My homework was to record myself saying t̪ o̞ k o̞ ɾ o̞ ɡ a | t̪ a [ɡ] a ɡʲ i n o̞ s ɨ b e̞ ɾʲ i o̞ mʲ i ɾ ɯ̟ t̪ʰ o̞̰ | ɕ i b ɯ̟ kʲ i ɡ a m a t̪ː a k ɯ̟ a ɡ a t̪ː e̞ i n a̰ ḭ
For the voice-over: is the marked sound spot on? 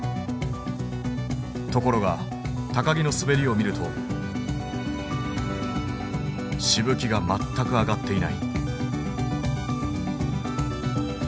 no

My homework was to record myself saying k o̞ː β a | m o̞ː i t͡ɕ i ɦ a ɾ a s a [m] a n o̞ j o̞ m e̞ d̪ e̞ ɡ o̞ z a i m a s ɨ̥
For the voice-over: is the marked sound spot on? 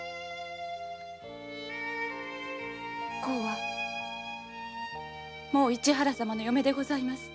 yes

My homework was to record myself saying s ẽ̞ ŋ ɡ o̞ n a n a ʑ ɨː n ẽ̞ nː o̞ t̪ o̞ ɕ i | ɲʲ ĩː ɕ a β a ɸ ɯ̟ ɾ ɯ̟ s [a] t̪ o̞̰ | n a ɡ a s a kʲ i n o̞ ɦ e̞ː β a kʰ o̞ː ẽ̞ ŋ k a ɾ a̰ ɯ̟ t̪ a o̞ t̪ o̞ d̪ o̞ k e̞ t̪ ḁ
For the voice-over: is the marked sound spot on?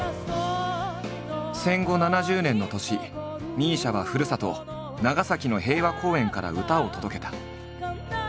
yes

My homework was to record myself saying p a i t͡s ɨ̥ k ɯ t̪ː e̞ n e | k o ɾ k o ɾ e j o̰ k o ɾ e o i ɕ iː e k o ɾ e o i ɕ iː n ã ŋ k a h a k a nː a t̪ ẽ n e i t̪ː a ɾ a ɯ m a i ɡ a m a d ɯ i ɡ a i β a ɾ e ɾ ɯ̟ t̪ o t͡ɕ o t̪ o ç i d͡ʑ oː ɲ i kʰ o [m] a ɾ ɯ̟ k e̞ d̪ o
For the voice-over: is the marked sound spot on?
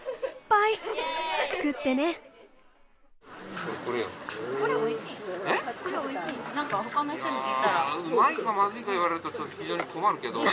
yes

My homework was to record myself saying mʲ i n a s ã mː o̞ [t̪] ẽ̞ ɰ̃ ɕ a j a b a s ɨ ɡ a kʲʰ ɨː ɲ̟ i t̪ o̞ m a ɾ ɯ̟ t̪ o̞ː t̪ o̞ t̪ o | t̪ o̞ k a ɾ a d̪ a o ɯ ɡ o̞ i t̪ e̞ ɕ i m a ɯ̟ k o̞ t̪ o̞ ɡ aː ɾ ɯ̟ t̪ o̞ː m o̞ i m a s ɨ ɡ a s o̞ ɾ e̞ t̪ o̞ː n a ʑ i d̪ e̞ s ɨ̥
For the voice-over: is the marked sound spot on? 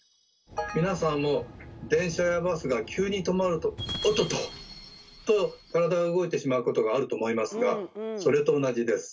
no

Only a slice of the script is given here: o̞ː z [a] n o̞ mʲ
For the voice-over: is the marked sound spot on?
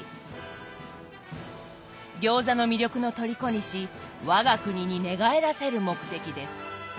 yes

